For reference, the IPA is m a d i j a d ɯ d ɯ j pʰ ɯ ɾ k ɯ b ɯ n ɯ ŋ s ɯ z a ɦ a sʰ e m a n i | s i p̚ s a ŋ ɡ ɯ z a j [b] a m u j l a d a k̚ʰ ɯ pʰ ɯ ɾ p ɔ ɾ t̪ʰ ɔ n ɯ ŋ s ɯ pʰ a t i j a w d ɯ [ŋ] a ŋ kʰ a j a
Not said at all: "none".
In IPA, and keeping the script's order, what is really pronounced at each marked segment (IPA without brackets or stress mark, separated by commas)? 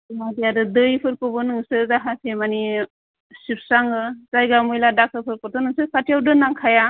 ɡ, n